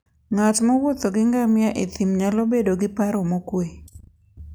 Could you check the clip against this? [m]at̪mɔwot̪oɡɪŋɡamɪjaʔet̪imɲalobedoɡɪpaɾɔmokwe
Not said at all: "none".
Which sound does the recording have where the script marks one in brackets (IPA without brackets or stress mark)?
ŋ